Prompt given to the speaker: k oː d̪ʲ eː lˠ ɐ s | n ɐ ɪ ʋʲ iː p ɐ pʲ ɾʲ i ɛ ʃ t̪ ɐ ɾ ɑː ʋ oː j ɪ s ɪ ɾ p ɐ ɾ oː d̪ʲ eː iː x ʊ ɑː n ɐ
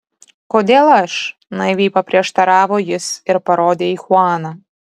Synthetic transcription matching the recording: k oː d̪ʲ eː lˠ ɐ ʃ | n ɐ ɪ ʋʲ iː p ɐ pʲ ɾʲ i ɛ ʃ t̪ ɐ ɾ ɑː ʋ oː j ɪ s ɪ ɾ p ɐ ɾ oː d̪ʲ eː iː x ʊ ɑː n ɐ